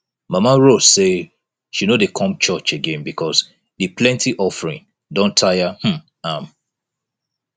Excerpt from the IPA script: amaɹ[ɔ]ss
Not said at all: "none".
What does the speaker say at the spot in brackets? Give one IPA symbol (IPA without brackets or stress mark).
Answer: o